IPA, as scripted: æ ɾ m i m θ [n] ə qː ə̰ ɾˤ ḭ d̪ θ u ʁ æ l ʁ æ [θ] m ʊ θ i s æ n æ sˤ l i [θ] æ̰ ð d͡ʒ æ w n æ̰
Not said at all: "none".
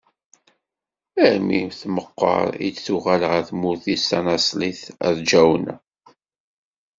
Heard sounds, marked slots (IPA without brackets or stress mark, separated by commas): m, θ, θ